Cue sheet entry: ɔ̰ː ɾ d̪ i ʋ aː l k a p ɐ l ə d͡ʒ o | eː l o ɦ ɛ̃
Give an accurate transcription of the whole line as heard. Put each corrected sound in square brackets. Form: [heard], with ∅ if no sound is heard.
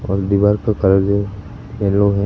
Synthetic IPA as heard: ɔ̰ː ɾ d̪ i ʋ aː [ɾ] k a [k] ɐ [ɾ] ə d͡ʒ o | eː l o ɦ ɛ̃